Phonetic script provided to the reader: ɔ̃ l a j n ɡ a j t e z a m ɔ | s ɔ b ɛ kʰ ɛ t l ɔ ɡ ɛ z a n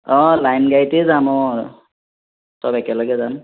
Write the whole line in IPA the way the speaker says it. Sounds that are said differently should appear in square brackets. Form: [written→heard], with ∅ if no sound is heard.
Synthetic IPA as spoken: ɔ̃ l a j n ɡ a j t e z a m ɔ | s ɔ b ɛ [kʰ→k] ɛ [t→∅] l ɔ ɡ ɛ z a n